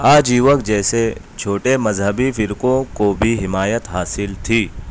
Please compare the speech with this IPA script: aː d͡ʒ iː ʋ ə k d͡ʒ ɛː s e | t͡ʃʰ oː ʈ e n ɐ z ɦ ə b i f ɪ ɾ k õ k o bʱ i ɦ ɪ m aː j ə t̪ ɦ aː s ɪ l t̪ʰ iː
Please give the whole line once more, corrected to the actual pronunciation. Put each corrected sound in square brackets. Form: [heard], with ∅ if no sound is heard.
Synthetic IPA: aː d͡ʒ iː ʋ ə k d͡ʒ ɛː s e | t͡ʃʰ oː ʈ e [m] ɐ z ɦ ə b i f ɪ ɾ k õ k o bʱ i ɦ ɪ m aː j ə t̪ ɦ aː s ɪ l t̪ʰ iː